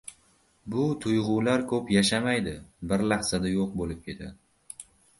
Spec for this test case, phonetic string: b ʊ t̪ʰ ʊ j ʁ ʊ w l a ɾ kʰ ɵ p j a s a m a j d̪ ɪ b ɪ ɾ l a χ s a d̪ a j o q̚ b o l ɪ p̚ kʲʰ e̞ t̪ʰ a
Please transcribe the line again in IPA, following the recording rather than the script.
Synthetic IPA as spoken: b ʊ t̪ʰ ʊ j ʁ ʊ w l a ɾ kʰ ɵ p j a ʃ a m a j d̪ ɪ b ɪ ɾ l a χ s a d̪ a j o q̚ b o l ɪ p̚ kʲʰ e̞ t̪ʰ a